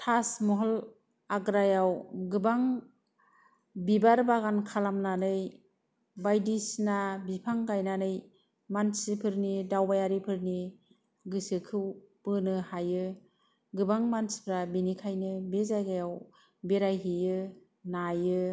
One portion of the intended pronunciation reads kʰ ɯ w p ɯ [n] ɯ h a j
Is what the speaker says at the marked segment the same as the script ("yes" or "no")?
yes